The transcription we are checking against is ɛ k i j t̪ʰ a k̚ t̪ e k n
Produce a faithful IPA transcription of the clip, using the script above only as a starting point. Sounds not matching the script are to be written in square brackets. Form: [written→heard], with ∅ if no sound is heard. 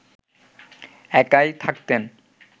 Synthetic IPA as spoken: ɛ k [i→a] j t̪ʰ a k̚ t̪ e [k→∅] n